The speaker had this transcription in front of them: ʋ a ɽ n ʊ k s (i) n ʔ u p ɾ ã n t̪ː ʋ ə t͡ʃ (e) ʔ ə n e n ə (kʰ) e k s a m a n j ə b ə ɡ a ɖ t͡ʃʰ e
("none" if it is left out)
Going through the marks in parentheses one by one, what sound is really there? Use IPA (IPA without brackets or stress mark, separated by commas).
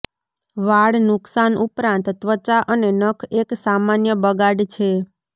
a, a, kʰ